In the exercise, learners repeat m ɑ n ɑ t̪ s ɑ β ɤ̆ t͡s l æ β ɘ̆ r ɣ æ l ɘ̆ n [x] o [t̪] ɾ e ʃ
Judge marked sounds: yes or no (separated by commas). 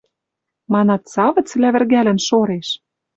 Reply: no, no